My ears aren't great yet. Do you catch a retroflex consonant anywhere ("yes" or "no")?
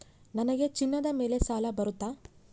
no